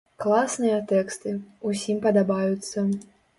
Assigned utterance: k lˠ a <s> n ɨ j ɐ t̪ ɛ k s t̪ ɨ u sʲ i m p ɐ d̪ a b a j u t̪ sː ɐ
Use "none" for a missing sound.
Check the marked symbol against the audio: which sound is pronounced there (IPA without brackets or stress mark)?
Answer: s